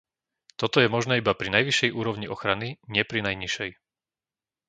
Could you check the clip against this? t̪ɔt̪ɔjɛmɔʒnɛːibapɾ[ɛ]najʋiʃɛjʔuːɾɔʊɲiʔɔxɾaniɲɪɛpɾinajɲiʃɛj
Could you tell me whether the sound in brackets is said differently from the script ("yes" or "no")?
yes